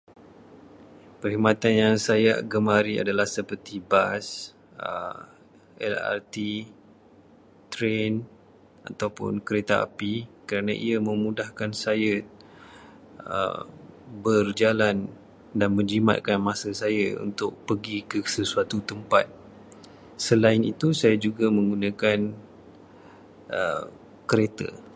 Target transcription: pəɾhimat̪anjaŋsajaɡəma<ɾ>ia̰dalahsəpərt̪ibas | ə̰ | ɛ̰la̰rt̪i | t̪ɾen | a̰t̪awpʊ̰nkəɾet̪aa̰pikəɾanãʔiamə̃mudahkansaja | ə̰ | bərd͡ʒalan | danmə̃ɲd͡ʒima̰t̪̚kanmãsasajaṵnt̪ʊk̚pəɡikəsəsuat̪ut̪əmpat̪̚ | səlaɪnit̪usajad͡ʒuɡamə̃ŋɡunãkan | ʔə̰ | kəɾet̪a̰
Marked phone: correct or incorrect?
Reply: correct